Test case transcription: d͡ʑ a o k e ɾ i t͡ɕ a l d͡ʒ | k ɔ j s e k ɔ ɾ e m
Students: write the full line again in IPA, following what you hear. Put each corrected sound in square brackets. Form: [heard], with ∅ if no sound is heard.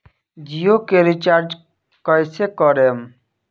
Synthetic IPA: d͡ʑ [i] o k e ɾ i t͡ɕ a [ɾ] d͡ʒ | k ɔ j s e k ɔ ɾ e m